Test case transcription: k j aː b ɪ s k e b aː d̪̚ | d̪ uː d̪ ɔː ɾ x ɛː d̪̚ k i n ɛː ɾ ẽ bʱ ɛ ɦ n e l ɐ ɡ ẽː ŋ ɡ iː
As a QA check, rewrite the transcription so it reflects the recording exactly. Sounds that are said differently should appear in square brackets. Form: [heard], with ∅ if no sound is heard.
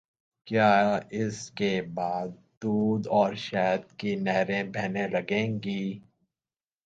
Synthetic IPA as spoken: k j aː [∅] ɪ s k e b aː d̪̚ | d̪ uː d̪ ɔː ɾ [ʃ] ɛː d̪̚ k i n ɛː ɾ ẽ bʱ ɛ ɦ n e l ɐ ɡ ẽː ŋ ɡ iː